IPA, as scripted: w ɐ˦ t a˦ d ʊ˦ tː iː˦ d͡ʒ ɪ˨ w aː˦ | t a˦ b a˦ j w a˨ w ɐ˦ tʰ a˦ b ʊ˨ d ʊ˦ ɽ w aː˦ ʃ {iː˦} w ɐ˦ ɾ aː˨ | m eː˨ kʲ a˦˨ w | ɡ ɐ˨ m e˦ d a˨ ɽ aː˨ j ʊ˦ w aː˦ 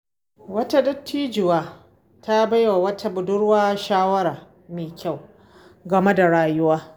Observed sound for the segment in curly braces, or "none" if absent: aː˦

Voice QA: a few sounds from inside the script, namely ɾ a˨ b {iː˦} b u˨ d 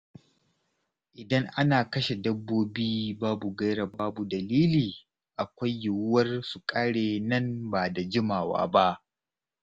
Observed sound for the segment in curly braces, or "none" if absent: aː˦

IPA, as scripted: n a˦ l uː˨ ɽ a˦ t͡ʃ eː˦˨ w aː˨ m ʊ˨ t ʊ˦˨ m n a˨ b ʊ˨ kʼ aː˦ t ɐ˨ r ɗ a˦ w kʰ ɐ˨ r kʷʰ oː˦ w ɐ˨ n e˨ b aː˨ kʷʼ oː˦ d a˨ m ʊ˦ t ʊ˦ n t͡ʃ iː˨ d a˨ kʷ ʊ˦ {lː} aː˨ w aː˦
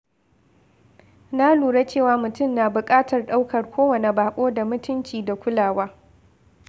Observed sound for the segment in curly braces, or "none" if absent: l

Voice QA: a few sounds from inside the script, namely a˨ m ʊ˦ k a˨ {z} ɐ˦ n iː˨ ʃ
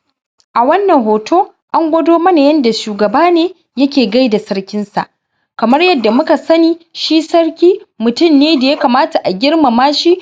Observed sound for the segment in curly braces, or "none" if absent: s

